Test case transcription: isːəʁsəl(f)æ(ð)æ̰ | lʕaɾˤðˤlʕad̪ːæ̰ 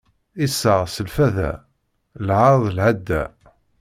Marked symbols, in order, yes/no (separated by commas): yes, yes